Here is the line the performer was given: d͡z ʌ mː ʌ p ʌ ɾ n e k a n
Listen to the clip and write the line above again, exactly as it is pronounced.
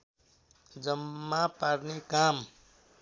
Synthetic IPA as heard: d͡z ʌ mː a p a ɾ n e k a m